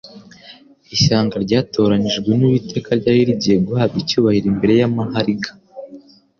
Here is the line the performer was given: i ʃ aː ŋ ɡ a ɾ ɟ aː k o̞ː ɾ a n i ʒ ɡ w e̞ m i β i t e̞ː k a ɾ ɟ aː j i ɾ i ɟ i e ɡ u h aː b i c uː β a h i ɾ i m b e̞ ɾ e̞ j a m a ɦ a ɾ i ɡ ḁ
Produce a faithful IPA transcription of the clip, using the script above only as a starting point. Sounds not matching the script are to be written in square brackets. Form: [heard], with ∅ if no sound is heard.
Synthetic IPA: i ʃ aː ŋ ɡ a ɾ ɟ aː [t] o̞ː ɾ a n i ʒ ɡ w e̞ [n] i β i t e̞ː k a ɾ ɟ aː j i ɾ i ɟ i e ɡ u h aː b i c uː β a h i ɾ i m b e̞ ɾ e̞ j a m a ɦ a ɾ i ɡ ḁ